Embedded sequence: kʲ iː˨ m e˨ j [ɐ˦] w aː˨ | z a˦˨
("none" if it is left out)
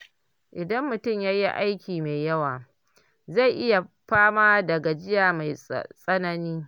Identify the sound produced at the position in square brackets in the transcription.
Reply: ɐ˦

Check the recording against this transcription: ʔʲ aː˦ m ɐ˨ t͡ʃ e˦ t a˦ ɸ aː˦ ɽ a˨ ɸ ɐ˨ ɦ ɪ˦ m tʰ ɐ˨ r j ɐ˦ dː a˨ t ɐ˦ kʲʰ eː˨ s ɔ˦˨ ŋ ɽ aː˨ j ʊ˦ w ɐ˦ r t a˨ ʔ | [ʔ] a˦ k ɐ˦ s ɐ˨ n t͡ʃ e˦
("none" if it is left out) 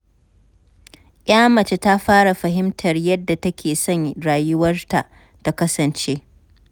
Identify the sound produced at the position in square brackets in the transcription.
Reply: t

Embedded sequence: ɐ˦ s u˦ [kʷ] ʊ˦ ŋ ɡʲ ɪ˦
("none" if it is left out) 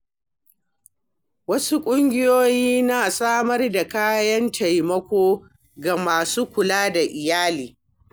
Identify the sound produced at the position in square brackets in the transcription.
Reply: kʷʼ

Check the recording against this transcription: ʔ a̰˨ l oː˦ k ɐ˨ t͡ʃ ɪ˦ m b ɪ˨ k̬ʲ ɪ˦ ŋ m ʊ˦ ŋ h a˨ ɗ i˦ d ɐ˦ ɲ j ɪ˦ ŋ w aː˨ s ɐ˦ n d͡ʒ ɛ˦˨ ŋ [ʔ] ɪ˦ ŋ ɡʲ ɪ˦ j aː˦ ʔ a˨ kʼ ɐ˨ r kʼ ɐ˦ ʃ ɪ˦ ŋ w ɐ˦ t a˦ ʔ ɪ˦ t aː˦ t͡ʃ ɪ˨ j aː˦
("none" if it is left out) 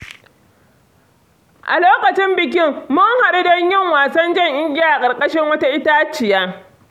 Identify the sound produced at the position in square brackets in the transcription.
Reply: ʔ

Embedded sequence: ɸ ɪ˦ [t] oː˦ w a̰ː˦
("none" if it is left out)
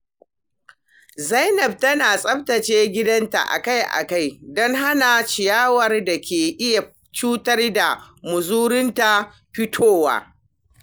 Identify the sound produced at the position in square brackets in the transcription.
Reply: tʰ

